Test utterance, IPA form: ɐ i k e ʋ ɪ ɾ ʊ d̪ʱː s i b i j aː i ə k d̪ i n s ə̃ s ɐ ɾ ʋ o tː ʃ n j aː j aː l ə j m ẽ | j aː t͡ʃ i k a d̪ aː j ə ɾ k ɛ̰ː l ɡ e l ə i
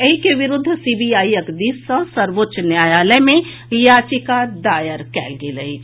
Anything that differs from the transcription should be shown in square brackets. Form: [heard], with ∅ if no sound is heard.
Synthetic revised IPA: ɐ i k e ʋ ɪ ɾ ʊ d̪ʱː s i b i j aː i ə k d̪ i [∅] s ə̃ s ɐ ɾ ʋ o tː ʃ n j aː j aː l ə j m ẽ | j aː t͡ʃ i k a d̪ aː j ə ɾ k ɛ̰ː l ɡ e l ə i

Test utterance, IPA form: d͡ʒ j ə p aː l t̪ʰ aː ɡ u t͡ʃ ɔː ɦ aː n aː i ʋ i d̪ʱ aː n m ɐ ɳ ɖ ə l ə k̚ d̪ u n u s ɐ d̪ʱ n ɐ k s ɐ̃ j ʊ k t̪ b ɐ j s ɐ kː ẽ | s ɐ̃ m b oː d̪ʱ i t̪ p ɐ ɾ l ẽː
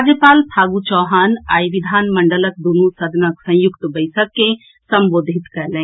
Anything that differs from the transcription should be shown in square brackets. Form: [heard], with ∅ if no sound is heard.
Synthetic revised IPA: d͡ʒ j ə p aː l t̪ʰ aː ɡ u t͡ʃ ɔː ɦ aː n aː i ʋ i d̪ʱ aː n m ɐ ɳ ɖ ə l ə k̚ d̪ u n u s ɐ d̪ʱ n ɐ k s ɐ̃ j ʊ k t̪ b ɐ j s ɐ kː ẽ | s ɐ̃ m b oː d̪ʱ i t̪ [k] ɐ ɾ l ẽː

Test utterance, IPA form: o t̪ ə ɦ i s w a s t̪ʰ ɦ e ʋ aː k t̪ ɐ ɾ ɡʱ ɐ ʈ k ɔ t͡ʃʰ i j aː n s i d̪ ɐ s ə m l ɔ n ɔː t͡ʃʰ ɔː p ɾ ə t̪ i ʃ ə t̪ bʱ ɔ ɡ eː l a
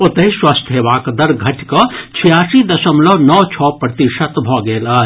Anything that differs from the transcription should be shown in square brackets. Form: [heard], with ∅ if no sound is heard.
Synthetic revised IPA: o t̪ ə ɦ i s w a s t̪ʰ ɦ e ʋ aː k [d̪] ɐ ɾ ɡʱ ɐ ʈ k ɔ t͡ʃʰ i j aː [∅] s i d̪ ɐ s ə m l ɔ n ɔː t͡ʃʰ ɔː p ɾ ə t̪ i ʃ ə t̪ bʱ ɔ ɡ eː l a

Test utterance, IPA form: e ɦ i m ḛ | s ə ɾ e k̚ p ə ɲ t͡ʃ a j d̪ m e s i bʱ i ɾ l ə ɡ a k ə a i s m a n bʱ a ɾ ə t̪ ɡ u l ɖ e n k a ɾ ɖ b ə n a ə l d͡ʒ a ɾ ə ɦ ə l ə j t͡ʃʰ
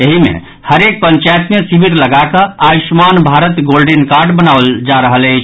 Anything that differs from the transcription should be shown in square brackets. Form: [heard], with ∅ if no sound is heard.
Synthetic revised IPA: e ɦ i m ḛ | [h] ə ɾ e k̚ p ə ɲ t͡ʃ a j [t̪] m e s i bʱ i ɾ l ə ɡ a k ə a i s m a n bʱ a ɾ ə t̪ ɡ [o] l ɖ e n k a ɾ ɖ b ə n a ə l d͡ʒ a ɾ ə ɦ ə l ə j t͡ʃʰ

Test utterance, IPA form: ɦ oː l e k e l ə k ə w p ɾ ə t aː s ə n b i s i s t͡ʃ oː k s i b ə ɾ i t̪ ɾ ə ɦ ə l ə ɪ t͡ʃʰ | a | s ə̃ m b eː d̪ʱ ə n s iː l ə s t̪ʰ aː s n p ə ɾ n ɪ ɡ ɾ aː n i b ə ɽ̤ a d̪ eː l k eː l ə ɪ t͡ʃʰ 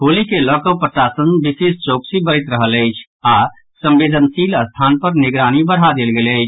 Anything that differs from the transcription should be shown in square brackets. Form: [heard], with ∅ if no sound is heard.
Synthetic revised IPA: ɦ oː l [i] k e l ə k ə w p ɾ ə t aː s ə n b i s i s t͡ʃ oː k s i b ə ɾ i t̪ ɾ ə ɦ ə l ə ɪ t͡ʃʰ | a | s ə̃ m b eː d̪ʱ ə n s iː l ə s t̪ʰ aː [∅] n p ə ɾ n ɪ ɡ ɾ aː n i b ə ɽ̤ a d̪ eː l [ɡ] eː l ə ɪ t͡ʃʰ

